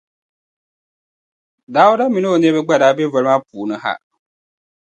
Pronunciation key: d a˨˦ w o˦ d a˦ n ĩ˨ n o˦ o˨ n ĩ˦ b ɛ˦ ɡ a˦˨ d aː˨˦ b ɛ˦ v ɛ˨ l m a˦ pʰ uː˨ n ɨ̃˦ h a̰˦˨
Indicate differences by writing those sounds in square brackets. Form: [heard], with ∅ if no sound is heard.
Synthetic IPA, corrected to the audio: d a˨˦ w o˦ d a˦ [m] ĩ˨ n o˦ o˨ n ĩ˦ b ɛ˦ [ɡ͡b] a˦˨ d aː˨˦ b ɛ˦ v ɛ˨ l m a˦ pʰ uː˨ n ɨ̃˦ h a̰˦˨